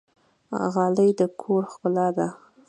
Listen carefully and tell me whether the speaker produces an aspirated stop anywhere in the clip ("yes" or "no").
yes